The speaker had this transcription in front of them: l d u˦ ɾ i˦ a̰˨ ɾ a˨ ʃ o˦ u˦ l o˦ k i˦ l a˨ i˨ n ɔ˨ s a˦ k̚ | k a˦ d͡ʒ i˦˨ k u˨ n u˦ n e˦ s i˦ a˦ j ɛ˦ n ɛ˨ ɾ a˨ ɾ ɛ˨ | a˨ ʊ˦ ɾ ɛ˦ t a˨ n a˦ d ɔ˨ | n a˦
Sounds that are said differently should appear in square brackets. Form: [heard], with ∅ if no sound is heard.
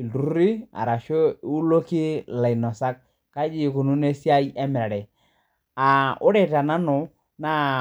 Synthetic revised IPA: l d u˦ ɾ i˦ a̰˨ ɾ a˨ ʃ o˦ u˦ l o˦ k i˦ l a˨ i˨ n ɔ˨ s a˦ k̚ | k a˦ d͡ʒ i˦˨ k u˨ n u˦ n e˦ s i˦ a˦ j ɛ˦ [m] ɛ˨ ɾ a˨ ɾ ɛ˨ | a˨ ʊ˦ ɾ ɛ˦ t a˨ n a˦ [n] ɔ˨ | n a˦